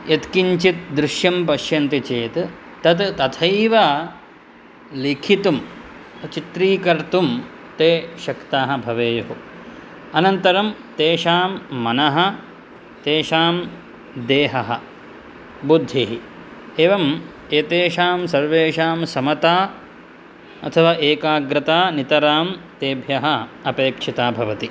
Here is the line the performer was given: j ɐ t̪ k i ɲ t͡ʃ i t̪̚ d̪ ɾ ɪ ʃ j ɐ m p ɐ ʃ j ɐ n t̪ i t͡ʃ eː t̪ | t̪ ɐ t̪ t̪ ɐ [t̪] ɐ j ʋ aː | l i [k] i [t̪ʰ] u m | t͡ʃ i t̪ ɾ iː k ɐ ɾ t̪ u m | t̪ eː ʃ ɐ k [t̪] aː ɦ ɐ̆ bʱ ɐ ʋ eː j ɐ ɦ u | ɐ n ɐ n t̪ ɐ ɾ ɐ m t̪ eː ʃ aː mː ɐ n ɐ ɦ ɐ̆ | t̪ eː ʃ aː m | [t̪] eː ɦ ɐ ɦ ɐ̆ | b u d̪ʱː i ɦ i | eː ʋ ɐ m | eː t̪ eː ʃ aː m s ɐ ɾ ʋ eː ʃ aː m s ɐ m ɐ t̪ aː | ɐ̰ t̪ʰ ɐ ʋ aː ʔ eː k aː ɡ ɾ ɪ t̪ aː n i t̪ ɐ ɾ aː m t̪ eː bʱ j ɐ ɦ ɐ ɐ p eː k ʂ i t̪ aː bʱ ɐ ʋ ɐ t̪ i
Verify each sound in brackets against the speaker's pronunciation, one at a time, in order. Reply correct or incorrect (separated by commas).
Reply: incorrect, incorrect, incorrect, correct, incorrect